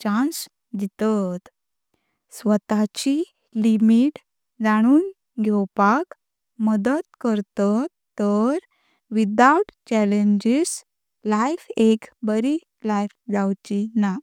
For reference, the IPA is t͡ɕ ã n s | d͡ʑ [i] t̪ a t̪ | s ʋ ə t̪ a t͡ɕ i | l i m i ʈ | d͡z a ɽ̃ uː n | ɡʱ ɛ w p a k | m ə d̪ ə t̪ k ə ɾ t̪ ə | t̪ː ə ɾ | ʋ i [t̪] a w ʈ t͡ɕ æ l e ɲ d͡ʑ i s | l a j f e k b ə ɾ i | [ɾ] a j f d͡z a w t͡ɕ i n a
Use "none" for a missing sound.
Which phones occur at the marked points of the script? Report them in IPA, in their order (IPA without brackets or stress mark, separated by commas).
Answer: i, d̪, l